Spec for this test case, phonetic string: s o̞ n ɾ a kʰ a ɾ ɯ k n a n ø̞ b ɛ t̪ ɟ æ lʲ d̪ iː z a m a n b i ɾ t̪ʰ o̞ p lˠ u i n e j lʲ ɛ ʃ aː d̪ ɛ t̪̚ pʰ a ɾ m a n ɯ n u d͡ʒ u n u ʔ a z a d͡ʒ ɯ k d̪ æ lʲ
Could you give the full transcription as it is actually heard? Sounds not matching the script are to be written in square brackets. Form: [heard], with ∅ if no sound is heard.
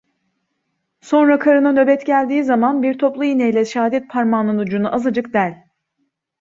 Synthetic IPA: s o̞ n ɾ a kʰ a ɾ ɯ [∅] n a n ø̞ b ɛ t̪ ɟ æ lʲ d̪ iː z a m a n b i ɾ t̪ʰ o̞ p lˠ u i n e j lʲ ɛ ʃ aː d̪ ɛ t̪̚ pʰ a ɾ m a n ɯ n u d͡ʒ u n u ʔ a z a d͡ʒ ɯ k d̪ æ lʲ